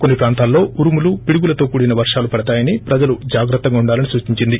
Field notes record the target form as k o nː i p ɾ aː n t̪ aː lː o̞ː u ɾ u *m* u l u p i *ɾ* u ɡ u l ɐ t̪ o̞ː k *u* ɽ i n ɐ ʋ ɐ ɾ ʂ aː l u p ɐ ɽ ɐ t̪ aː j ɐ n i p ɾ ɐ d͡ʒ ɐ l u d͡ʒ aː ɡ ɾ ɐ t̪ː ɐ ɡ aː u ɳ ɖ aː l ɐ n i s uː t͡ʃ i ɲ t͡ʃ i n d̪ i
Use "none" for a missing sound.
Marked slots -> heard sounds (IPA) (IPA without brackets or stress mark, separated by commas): m, ɽ, uː